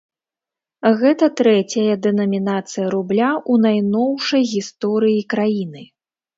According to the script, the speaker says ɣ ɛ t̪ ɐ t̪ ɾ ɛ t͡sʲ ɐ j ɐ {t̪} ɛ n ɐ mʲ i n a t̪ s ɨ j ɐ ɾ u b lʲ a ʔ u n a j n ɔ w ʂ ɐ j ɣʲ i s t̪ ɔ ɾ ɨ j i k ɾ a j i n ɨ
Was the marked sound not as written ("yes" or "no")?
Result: yes